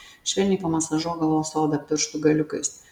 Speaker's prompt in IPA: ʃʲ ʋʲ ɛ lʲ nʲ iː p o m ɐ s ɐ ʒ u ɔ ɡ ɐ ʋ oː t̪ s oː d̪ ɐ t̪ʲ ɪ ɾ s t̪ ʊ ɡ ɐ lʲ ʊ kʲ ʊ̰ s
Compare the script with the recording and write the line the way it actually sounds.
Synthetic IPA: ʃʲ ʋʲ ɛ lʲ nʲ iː p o m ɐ s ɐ ʒ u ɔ ɡ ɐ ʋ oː s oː d̪ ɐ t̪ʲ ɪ ɾ ʃ t̪ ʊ ɡ ɐ lʲ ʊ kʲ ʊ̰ s